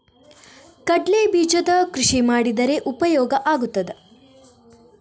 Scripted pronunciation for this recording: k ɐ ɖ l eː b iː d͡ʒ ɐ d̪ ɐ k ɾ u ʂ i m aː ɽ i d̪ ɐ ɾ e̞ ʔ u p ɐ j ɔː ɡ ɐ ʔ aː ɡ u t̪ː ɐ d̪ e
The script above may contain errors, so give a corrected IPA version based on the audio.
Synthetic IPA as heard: k ɐ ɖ l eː b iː d͡ʒ ɐ d̪ ɐ k ɾ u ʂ i m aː ɽ i d̪ ɐ ɾ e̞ ʔ u p ɐ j ɔː ɡ ɐ ʔ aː ɡ u t̪ː ɐ d̪ e